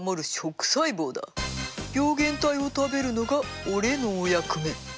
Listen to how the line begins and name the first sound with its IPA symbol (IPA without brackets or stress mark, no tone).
m